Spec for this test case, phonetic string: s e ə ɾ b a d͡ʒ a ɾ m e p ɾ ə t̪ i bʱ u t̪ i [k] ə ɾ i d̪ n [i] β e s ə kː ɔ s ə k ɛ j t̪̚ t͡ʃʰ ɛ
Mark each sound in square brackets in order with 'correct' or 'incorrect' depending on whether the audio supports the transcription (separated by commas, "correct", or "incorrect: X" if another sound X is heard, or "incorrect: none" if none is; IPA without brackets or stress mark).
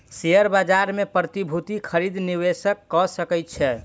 incorrect: kʰ, correct